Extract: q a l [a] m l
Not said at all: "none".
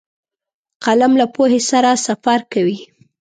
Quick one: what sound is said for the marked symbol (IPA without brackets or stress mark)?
a